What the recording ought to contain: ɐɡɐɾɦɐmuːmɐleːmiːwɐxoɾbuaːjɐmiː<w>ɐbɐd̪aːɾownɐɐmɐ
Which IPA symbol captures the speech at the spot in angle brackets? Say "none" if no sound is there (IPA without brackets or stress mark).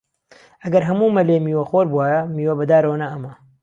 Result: w